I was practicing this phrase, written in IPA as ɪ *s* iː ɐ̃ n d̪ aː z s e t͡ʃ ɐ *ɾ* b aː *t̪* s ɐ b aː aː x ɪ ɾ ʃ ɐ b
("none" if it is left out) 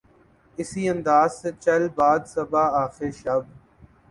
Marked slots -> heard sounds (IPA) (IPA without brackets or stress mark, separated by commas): s, l, d̪